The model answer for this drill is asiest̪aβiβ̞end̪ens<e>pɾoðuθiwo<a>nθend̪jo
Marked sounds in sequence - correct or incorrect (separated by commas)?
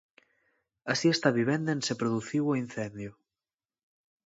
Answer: correct, incorrect